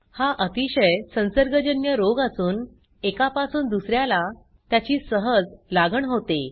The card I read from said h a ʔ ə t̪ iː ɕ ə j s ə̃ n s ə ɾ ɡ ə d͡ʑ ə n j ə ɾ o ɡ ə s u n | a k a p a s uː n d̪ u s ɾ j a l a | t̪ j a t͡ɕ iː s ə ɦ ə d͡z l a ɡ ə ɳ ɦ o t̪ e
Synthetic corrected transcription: h a ʔ ə t̪ i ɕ ə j s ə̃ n s ə ɾ ɡ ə d͡ʑ ə n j ə ɾ o ɡ a s uː n | e k a p a s uː n d̪ u s ɾ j a l a | t̪ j a t͡ɕ iː s ə ɦ ə d͡z l a ɡ ə ɳ ɦ o t̪ e

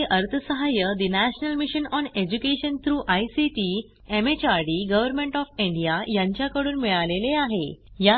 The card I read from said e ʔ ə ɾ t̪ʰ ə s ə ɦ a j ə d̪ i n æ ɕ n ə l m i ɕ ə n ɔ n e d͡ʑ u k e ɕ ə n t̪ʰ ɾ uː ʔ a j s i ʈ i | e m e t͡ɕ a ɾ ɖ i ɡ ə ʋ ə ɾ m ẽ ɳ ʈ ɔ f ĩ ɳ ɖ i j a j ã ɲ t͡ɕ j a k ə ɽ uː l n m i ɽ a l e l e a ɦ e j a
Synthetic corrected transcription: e ʔ ə ɾ t̪ʰ ə s ə ɦ a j ə d̪ i n æ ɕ n ə l m i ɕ ə n ɔ n e d͡ʑ u k e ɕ ə n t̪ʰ ɾ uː ʔ a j s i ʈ i | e m e t͡ɕ a ɾ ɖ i ɡ ə ʋ ə ɾ m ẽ ɳ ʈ ɔ f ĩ ɳ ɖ i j a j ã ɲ t͡ɕ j a k ə ɽ uː n m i ɭ a l e l e a ɦ e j a

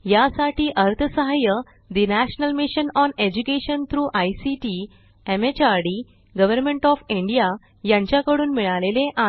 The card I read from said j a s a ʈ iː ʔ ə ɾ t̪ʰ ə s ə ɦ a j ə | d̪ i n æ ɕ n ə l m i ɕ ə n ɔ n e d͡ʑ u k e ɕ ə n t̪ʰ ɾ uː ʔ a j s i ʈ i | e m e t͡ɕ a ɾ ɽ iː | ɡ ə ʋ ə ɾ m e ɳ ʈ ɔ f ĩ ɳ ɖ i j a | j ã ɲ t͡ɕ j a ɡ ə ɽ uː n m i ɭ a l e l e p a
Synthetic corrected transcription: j a s a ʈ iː ʔ ə ɾ t̪ʰ ə s ə ɦ a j ə | d̪ i n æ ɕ n ə l m i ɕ ə n ɔ n e d͡ʑ u k e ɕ ə n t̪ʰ ɾ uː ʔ a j s i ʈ i | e m e t͡ɕ a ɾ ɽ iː | ɡ ə ʋ ə ɾ m e ɳ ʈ ɔ f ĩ ɳ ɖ i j a | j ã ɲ t͡ɕ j a k ə ɽ uː n m i ɭ a l e l e ʔ a

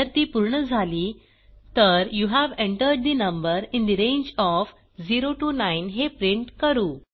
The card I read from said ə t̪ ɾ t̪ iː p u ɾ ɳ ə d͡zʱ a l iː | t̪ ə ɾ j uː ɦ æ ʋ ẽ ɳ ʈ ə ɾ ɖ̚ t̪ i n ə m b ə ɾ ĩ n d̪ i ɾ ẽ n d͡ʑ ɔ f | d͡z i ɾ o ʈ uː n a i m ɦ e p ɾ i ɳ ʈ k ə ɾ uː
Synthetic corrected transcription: ə ɾ t̪ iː p u ɾ ɳ ə d͡zʱ a l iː | t̪ ə ɾ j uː ɦ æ ʋ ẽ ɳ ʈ ə ɾ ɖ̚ d̪ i n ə m b ə ɾ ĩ n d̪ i ɾ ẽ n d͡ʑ ɔ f | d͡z i ɾ o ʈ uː n a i n ɦ e p ɾ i ɳ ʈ k ə ɾ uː

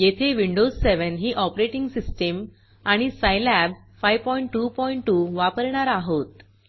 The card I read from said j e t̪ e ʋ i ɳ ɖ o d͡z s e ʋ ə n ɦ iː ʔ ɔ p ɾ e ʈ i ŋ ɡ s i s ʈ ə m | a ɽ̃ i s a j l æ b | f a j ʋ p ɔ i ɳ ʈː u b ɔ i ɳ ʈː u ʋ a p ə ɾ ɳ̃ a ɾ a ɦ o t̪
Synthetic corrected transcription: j e t̪ʰ e ʋ i ɳ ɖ o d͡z s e ʋ ə n ɦ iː ʔ ɔ p ɾ e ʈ i ŋ ɡ s i s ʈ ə m | a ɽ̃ i s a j l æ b | f a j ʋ p ɔ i ɳ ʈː u p ɔ i ɳ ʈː u ʋ a p ə ɾ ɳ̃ a ɾ a ɦ o t̪

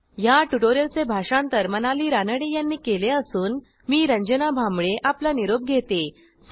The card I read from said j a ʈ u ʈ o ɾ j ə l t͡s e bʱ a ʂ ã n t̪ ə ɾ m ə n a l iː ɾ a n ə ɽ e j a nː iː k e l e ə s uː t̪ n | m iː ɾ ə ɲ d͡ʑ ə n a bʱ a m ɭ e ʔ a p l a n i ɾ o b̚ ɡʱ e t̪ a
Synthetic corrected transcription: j a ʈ u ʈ o ɾ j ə l t͡s e bʱ a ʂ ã n t̪ ə ɾ m ə n a l iː ɾ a n ə ɽ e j a nː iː k e l e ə s uː n | m iː ɾ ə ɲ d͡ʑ ə n a bʱ a m ɭ e ʔ a p l a n i ɾ o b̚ ɡʱ e t̪ e

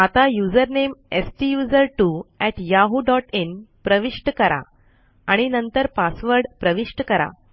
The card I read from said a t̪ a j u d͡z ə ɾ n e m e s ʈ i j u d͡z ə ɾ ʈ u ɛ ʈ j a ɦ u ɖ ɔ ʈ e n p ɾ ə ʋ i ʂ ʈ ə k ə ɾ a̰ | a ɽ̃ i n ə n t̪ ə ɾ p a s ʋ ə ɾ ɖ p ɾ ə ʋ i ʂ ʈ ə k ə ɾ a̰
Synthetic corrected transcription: a t̪ a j u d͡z ə ɾ n e m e s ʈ i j u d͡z ə ɾ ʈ u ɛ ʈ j a ɦ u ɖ ɔ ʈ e n p ɾ ə ʋ i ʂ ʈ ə k ə ɾ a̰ | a ɽ̃ i n ə n t̪ ə ɾ p a s ʋ ə ɾ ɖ p ɾ ə ʋ i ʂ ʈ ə k ə ɾ a̰

